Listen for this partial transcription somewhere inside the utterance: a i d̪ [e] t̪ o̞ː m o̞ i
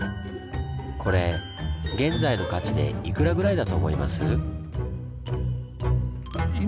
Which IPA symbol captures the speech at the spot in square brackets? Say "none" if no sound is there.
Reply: a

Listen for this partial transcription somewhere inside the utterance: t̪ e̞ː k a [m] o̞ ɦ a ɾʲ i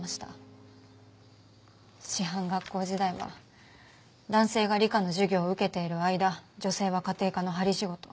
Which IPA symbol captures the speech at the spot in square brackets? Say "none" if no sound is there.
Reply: n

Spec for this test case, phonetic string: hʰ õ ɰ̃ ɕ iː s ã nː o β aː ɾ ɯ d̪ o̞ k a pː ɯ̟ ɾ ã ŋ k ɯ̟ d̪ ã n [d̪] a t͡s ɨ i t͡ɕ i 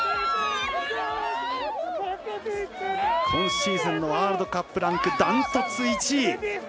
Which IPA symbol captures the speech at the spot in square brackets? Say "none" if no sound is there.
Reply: t̪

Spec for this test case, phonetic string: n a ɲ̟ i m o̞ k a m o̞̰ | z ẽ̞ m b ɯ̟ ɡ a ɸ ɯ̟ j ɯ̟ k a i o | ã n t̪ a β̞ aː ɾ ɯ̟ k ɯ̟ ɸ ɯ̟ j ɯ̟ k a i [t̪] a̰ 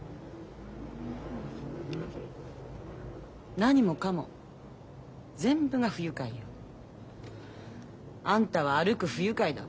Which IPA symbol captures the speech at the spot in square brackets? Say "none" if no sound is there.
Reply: d̪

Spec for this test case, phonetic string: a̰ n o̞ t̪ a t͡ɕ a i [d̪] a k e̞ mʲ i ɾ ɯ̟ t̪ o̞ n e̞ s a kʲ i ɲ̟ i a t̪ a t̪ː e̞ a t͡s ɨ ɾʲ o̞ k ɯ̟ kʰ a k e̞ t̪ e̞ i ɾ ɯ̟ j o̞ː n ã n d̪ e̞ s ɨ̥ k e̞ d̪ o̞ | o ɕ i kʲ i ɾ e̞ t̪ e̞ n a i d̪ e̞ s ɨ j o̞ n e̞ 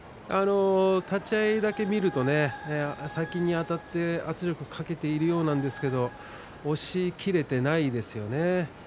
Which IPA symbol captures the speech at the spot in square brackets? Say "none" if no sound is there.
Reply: d̪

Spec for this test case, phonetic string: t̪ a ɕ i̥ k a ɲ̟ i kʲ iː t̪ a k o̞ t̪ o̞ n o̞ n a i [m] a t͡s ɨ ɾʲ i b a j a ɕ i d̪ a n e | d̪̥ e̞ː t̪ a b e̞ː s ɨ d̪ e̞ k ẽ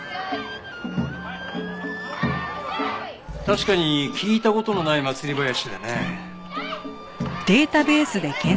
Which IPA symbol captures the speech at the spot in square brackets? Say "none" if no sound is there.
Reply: m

